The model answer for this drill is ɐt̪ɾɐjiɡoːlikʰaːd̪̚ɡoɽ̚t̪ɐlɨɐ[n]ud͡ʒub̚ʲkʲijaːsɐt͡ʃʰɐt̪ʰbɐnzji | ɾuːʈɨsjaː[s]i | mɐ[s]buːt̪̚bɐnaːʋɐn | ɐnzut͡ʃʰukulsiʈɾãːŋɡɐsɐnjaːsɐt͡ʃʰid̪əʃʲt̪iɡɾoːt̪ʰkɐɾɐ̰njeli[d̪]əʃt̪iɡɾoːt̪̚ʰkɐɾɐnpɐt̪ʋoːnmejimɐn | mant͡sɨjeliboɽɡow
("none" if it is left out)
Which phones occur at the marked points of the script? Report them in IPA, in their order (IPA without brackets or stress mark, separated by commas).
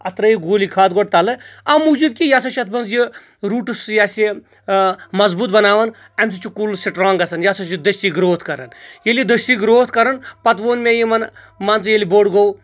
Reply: m, s, z, d̪